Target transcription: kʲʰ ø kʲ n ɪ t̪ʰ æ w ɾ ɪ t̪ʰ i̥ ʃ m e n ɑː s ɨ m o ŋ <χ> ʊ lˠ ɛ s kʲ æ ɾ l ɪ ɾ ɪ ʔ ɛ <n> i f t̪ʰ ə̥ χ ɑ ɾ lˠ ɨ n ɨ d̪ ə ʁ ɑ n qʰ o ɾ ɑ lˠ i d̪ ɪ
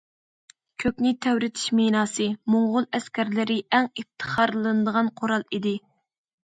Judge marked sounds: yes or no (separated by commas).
no, no